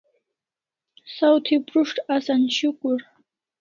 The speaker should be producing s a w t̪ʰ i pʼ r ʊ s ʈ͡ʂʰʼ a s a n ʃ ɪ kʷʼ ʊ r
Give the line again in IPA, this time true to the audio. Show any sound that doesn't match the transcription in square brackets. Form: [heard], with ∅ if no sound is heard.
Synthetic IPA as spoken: s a w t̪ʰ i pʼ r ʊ [ʂ] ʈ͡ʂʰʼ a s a n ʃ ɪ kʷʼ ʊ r